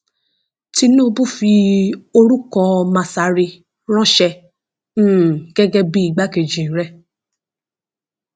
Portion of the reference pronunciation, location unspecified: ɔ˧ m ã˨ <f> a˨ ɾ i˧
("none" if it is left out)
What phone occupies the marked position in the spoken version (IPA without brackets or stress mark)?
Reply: s